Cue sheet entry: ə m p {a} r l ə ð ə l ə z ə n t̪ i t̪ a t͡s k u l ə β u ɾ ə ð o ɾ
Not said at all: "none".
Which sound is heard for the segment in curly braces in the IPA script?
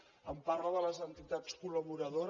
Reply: a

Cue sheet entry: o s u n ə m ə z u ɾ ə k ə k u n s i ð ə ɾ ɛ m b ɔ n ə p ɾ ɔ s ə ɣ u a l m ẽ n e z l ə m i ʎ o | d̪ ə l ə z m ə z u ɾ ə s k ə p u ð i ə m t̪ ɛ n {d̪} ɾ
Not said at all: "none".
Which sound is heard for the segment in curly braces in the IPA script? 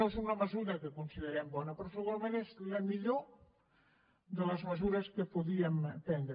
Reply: d̪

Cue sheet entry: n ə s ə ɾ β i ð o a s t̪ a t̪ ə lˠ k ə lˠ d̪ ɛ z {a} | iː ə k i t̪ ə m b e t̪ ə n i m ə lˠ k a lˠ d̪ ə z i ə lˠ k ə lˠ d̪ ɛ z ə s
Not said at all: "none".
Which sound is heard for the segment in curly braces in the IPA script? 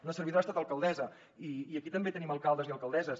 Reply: ə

